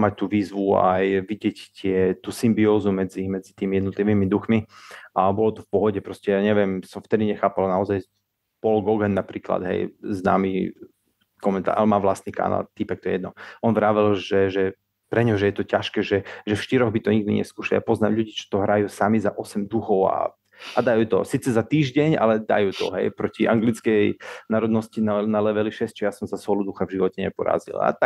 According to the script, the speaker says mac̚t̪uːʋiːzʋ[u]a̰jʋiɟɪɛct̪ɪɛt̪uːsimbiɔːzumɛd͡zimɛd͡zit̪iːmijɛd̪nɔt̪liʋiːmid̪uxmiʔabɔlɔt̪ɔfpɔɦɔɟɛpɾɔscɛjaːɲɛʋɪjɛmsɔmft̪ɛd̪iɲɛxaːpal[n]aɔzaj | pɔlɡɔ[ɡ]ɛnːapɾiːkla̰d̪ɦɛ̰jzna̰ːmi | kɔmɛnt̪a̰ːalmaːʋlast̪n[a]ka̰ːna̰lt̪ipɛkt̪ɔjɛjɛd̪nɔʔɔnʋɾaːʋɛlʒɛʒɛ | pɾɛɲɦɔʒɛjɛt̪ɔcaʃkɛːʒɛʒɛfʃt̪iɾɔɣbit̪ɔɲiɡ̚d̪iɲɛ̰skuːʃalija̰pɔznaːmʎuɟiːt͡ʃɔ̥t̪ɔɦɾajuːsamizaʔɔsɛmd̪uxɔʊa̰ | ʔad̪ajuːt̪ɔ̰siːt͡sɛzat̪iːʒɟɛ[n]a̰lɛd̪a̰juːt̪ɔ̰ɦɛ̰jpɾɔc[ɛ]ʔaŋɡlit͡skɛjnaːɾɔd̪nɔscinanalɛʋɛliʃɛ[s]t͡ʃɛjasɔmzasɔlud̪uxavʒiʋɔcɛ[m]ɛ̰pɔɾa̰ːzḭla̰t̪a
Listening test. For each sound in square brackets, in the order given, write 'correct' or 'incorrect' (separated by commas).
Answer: correct, correct, correct, incorrect, incorrect, incorrect, correct, incorrect